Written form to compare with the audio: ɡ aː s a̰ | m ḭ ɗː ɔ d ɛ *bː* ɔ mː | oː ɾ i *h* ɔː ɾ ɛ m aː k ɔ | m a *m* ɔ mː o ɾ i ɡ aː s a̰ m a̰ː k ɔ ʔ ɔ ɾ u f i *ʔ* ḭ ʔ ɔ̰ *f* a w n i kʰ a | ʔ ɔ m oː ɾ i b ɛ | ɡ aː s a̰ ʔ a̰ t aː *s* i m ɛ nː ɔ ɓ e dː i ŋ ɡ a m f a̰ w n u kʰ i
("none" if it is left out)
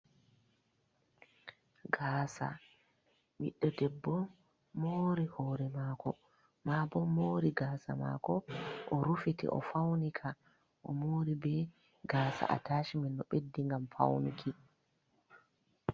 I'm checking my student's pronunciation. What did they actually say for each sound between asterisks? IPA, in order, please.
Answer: bː, h, b, t, f, ʃ

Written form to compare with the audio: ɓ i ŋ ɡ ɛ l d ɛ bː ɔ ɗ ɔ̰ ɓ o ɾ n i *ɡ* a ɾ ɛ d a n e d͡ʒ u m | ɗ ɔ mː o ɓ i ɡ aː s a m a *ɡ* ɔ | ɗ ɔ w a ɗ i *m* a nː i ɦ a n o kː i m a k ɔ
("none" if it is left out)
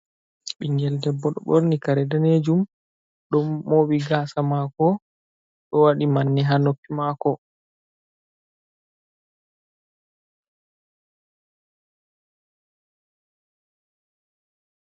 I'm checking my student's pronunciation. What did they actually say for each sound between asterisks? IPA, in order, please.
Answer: k, k, m

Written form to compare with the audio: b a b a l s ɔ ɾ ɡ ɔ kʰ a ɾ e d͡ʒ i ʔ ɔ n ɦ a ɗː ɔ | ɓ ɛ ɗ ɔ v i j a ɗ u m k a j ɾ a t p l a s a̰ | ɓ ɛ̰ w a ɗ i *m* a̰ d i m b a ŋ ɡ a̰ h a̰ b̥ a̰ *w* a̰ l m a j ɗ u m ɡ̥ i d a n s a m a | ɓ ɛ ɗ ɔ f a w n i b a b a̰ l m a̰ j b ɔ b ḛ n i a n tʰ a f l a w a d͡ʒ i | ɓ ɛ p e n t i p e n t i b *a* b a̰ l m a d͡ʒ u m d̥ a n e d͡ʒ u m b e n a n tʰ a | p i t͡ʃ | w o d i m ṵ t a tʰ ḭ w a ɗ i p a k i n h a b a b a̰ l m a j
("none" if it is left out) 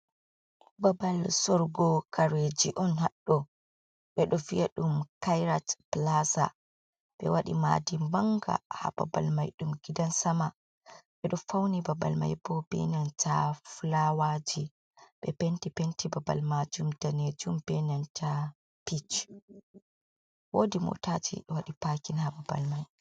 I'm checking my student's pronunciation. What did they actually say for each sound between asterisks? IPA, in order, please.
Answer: m, b, a

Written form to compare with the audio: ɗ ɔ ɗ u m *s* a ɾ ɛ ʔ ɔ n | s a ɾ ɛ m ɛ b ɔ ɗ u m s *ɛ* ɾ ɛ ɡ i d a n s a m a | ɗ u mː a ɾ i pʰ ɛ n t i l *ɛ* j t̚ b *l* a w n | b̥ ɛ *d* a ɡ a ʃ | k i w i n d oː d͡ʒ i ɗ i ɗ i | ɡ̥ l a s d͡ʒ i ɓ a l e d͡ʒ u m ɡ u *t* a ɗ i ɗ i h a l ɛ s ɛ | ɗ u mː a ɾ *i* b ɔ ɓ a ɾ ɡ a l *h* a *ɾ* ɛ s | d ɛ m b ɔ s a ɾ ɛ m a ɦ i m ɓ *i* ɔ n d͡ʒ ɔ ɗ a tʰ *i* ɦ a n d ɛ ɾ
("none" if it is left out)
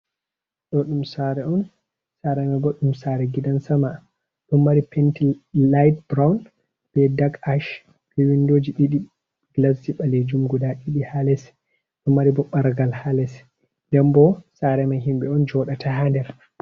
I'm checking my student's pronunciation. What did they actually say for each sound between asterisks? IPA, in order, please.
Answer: s, a, a, ɾ, d, d, i, h, l, ɛ, a

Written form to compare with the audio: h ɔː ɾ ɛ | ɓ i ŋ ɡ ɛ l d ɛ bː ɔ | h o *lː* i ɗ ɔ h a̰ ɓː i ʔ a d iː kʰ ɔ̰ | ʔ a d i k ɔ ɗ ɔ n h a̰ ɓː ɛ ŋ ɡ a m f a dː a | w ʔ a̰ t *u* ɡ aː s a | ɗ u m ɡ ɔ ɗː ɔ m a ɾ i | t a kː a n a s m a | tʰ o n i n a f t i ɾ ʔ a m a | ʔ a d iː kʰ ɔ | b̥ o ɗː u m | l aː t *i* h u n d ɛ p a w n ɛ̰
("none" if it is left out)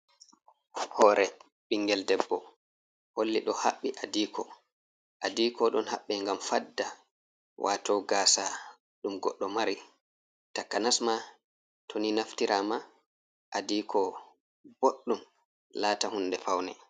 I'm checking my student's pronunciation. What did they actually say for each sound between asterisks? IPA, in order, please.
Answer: lː, ɔ, a

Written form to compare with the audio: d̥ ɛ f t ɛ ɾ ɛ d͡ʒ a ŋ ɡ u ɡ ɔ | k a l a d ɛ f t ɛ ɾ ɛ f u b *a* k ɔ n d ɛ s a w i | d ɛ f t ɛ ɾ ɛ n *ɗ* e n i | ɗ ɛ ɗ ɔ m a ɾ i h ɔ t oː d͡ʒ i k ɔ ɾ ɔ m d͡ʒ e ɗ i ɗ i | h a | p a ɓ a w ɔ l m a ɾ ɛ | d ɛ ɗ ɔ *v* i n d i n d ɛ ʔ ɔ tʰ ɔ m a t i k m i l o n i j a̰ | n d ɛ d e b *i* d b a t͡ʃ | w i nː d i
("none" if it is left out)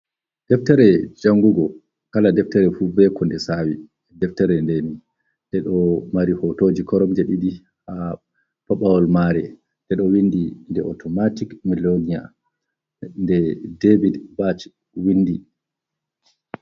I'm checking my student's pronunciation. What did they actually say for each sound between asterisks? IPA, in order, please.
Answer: ɛ, d, w, i

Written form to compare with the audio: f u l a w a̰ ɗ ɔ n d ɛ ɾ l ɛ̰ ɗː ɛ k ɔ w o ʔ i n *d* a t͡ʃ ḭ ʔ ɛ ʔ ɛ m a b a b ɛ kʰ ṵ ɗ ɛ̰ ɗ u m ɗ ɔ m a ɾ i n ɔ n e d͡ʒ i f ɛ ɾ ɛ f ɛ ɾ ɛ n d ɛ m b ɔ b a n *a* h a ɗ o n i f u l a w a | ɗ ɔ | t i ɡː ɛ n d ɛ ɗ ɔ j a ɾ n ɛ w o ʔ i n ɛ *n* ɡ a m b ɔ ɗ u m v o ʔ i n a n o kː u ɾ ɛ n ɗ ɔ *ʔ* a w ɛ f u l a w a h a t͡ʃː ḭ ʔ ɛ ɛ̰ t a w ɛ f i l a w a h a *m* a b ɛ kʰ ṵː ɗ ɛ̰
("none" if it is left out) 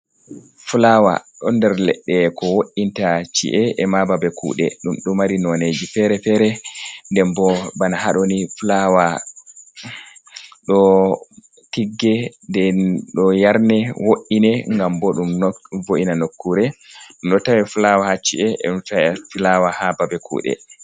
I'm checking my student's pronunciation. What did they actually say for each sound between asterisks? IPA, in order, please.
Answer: t, a, ŋ, t, b

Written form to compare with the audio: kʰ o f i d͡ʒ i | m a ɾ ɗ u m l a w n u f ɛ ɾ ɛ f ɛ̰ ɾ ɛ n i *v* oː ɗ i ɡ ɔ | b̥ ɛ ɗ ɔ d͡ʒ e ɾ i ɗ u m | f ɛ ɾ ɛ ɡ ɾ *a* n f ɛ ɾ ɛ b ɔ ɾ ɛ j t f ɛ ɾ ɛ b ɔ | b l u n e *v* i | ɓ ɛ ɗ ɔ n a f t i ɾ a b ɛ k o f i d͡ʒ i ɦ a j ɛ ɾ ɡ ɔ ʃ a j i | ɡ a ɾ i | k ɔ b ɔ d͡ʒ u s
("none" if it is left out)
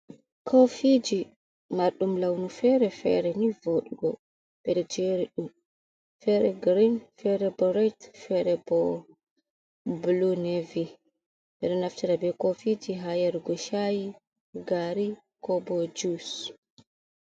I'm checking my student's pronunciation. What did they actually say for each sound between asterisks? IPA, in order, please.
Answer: v, i, v

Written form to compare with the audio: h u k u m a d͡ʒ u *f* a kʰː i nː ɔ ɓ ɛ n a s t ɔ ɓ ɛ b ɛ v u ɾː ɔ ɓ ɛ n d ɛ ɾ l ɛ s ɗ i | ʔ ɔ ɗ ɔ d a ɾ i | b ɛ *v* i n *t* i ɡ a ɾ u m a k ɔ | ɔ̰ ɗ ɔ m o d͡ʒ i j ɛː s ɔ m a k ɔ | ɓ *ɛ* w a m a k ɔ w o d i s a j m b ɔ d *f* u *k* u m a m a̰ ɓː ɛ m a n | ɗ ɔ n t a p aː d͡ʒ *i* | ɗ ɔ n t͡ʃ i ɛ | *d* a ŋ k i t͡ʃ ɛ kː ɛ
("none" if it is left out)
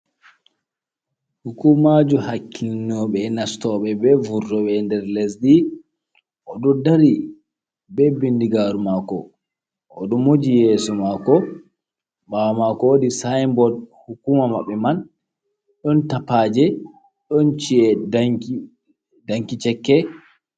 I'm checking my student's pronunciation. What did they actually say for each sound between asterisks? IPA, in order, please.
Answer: h, b, d, a, h, k, ɛ, d

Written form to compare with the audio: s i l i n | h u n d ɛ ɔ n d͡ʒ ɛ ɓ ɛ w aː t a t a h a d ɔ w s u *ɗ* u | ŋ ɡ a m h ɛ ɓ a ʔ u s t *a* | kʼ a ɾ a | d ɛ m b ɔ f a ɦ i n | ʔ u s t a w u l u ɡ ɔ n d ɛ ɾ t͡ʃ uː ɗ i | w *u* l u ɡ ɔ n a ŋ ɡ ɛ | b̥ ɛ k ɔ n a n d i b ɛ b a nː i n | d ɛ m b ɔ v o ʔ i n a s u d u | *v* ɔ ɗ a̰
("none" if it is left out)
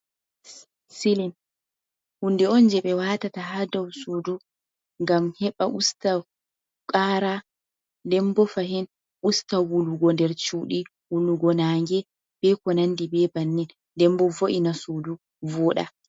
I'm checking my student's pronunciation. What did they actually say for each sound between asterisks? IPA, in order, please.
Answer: d, a, u, v

